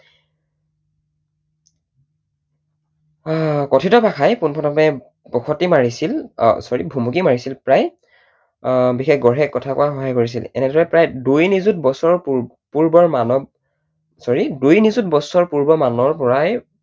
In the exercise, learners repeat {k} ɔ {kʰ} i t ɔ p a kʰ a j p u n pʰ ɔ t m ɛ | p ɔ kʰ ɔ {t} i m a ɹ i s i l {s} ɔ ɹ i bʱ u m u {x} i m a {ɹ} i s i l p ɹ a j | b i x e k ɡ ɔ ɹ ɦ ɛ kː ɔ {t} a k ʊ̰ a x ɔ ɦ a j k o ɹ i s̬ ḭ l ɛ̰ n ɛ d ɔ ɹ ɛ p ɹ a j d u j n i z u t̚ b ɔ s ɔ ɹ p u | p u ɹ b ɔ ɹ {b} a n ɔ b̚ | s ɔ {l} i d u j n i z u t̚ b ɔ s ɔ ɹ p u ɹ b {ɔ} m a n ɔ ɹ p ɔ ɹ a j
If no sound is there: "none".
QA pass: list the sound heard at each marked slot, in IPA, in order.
k, tʰ, t, s, k, ɹ, tʰ, m, ɹ, ɔ

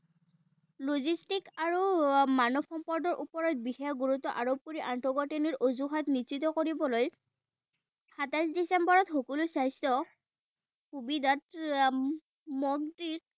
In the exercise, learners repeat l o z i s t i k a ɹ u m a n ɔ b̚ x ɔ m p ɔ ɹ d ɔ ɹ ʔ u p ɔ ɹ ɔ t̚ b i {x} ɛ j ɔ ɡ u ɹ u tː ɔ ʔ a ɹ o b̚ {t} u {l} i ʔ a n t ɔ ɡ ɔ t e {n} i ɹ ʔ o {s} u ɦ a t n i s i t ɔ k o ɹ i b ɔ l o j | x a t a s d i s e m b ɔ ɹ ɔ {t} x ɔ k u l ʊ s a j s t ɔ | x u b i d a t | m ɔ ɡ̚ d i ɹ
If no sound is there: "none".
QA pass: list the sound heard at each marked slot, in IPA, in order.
x, k, ɹ, n, z, t

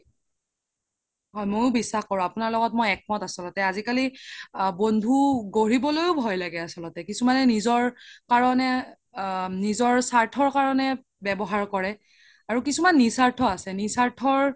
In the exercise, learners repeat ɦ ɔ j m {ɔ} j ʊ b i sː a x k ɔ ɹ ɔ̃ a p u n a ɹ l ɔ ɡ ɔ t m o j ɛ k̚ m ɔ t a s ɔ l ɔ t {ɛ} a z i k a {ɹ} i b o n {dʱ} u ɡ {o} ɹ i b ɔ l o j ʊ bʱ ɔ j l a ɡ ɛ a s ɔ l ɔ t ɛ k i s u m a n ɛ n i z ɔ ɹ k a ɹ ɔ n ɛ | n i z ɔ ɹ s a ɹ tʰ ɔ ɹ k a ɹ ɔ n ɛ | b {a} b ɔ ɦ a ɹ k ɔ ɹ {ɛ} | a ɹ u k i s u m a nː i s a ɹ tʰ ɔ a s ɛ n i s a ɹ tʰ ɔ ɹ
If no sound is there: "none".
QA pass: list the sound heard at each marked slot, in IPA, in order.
o, ɛ, l, dʱ, o, ɛ, ɛ

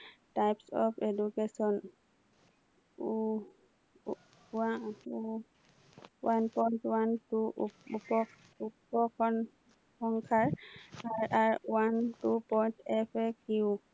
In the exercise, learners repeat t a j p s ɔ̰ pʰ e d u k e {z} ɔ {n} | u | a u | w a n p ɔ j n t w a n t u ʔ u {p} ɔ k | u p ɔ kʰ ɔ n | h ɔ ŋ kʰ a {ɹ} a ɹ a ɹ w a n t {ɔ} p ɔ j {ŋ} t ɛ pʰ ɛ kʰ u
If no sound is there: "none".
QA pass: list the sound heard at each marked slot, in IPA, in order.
s, n, p, ɹ, u, n

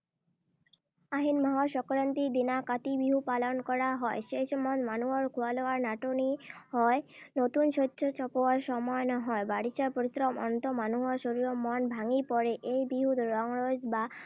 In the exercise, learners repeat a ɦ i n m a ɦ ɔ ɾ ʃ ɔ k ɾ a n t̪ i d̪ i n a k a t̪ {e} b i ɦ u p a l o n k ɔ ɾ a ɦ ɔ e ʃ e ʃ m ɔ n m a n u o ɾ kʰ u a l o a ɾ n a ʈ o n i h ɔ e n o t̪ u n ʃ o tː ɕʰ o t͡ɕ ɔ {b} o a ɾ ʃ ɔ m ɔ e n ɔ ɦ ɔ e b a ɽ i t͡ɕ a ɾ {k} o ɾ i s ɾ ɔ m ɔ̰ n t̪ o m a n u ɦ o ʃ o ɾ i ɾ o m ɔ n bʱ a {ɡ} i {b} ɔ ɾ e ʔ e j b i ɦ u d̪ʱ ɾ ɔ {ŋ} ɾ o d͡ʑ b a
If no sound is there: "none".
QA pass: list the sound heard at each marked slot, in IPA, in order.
i, p, p, ŋ, p, ŋ

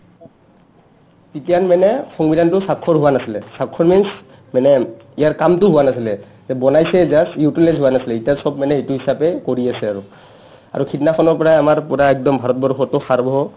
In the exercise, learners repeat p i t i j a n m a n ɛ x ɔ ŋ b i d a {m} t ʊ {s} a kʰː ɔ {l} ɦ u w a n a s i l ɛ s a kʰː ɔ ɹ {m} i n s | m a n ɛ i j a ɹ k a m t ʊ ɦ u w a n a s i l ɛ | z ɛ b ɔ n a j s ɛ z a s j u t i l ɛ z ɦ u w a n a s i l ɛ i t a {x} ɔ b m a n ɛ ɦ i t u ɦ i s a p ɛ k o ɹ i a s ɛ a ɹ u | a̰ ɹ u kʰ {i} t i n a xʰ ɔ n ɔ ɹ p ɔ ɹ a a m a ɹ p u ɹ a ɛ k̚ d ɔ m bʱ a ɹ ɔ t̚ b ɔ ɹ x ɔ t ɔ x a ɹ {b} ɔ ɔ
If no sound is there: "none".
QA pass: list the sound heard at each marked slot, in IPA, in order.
n, s, ɹ, m, s, i, b

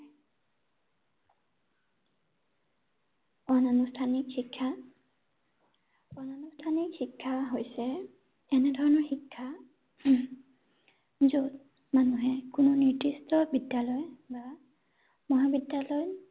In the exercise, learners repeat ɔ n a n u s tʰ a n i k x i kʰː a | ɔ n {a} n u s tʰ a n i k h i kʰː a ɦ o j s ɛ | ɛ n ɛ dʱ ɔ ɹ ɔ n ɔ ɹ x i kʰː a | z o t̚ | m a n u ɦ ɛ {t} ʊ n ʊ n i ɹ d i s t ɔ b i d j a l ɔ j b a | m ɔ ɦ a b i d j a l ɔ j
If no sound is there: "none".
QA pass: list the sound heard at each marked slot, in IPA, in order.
a, k

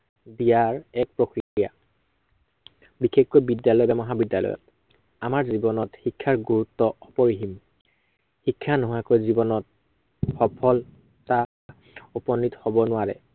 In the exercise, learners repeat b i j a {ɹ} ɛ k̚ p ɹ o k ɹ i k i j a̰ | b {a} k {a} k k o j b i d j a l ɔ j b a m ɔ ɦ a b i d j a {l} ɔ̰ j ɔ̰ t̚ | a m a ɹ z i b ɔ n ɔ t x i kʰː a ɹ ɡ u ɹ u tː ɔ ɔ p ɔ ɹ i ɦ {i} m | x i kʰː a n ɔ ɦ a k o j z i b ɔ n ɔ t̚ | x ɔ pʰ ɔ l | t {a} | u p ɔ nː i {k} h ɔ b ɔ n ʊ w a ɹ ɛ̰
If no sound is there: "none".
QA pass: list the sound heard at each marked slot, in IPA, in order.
ɹ, i, e, l, i, a, t

